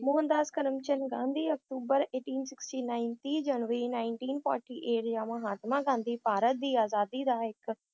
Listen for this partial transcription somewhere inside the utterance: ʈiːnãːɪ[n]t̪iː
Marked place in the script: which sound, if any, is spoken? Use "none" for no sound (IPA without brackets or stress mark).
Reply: n